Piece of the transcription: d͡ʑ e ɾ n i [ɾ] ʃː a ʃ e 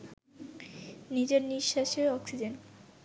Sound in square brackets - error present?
yes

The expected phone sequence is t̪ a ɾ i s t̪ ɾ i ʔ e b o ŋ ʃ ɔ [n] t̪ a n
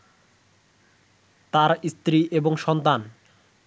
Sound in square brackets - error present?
no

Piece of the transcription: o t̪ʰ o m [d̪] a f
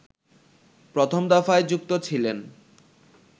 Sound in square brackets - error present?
no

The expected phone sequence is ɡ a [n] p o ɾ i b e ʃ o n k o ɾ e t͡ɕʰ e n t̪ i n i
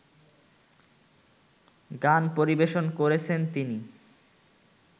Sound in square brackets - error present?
no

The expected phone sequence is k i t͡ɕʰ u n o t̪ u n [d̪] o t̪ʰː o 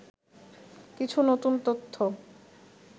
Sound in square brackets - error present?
yes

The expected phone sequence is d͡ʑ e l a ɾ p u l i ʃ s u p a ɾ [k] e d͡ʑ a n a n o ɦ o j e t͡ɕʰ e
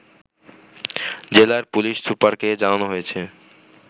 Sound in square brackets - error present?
no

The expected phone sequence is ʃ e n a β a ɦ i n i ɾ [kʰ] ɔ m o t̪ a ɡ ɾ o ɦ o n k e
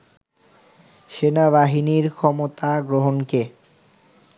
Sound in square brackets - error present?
no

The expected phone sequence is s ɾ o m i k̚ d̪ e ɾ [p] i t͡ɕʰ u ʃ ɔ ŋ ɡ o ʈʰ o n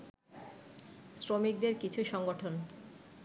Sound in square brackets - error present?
yes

